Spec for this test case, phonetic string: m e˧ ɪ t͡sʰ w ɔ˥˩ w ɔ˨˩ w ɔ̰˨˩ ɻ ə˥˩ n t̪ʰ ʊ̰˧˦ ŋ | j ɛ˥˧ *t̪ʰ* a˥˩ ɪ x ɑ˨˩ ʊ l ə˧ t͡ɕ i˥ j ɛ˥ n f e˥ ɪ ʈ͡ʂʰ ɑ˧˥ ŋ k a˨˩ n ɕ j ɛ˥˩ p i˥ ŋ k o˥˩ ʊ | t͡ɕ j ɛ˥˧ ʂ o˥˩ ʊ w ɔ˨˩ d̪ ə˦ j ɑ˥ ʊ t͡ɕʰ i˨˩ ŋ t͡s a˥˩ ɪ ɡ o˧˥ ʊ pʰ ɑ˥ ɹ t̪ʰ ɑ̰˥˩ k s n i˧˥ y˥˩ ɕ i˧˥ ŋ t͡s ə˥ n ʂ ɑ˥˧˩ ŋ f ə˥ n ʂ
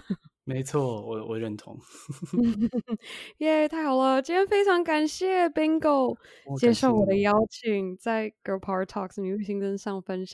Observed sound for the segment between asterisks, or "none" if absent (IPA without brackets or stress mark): t̪ʰ